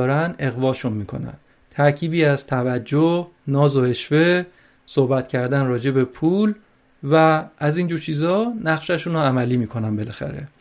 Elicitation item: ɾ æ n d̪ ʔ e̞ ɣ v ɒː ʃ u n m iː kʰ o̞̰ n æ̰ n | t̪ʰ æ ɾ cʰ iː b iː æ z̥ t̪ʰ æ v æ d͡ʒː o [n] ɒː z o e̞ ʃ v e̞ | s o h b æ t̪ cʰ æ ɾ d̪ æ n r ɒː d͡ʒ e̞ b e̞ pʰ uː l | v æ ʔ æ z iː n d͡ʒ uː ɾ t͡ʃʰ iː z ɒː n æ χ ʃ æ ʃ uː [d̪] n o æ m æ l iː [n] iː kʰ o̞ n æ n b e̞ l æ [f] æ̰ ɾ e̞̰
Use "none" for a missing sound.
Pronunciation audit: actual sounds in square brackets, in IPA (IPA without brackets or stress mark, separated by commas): n, none, m, x